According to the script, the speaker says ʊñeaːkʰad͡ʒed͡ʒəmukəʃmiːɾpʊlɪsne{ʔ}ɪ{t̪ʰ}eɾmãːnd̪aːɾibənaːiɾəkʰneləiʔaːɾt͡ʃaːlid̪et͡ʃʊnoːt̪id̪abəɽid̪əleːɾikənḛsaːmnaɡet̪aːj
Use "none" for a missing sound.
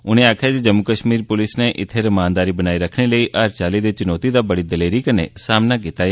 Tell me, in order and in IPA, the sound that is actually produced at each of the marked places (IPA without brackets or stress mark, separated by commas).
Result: ʔ, t̪ʰ